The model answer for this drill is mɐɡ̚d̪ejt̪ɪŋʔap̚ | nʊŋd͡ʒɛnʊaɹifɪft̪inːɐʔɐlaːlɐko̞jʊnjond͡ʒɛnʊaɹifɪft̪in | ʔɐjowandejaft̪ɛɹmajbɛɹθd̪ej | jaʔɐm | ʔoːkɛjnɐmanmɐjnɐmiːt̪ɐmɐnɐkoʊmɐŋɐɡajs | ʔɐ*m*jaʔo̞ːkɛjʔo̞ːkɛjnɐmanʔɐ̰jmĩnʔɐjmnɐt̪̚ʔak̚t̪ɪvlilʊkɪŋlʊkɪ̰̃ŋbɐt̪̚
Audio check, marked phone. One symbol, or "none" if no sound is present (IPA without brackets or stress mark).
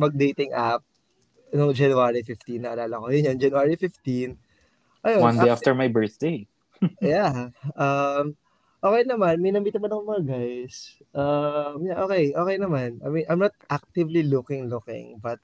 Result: m